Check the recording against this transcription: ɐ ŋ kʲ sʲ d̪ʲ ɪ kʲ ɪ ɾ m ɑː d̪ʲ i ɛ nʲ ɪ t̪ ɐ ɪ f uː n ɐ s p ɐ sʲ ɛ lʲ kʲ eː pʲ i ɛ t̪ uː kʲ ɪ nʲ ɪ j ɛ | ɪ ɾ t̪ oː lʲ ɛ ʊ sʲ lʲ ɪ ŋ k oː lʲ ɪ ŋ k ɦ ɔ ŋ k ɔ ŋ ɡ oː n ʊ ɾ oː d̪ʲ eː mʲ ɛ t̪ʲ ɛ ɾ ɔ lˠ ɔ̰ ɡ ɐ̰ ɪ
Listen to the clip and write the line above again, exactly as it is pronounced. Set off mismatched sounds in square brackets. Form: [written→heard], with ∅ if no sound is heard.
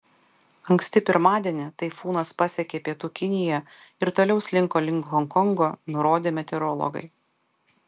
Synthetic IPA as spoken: ɐ ŋ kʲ sʲ [d̪ʲ→t̪ʲ] ɪ [kʲ→pʲ] ɪ ɾ m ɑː d̪ʲ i ɛ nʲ ɪ t̪ ɐ ɪ f uː n ɐ s p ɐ sʲ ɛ [lʲ→∅] kʲ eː pʲ i ɛ t̪ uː kʲ ɪ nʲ ɪ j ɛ | ɪ ɾ t̪ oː lʲ ɛ ʊ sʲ lʲ ɪ ŋ k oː lʲ ɪ ŋ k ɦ ɔ ŋ k ɔ ŋ ɡ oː n ʊ ɾ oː d̪ʲ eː mʲ ɛ t̪ʲ ɛ ɾ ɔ lˠ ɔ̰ ɡ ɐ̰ ɪ